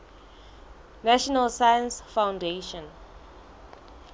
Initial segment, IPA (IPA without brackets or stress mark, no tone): n